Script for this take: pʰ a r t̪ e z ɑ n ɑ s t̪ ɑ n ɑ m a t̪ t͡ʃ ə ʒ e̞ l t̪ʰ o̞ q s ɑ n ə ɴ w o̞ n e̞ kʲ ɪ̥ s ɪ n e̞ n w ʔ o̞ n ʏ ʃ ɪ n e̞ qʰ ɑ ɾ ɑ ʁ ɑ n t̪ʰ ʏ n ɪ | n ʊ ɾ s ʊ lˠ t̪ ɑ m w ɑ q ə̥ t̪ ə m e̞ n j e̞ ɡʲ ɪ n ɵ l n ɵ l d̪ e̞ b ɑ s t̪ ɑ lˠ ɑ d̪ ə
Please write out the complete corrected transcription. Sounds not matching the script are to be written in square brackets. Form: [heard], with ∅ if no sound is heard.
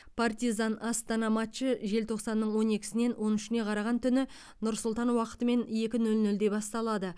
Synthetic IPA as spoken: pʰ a r t̪ [i] z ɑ n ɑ s t̪ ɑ n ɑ m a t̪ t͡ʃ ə ʒ e̞ l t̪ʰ o̞ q s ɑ [nː] ə ɴ w o̞ n e̞ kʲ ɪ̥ s ɪ n e̞ n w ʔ o̞ n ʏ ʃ ɪ n e̞ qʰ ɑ ɾ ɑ ʁ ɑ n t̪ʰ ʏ n ɪ | n ʊ ɾ s ʊ lˠ t̪ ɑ [n] w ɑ q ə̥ t̪ ə m e̞ n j e̞ [kʲ] ɪ n ɵ l n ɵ l d̪ e̞ b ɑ s t̪ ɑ lˠ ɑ d̪ ə

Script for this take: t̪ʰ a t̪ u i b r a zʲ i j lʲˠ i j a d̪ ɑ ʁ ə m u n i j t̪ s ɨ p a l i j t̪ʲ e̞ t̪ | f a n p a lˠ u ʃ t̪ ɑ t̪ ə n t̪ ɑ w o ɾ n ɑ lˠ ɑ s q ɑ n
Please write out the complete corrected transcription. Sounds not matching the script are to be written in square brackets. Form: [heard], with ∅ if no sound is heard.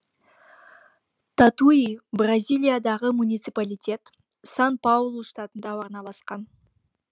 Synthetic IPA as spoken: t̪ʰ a t̪ u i b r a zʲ i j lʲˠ i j a d̪ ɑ ʁ ə m u n i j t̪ s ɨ p a l i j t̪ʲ e̞ t̪ | [s] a n p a lˠ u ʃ t̪ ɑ t̪ ə n [d̪] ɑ w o ɾ n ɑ lˠ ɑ s q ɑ n

